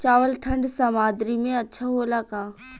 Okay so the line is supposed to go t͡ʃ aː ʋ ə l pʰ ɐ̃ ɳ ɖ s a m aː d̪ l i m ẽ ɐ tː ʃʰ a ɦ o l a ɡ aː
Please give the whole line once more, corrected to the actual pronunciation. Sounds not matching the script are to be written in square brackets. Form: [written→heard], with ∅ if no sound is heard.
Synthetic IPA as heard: t͡ʃ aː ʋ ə l [pʰ→ʈʰ] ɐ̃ ɳ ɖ s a m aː d̪ [l→ɾ] i m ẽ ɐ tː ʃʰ a ɦ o l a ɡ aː